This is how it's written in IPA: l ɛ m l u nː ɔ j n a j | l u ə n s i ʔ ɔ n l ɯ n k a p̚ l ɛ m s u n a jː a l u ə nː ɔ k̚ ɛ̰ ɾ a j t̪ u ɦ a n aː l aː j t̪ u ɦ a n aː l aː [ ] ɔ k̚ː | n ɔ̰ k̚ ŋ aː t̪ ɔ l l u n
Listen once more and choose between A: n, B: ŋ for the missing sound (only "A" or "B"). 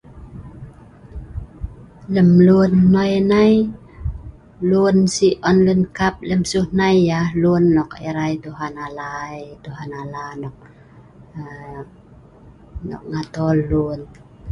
A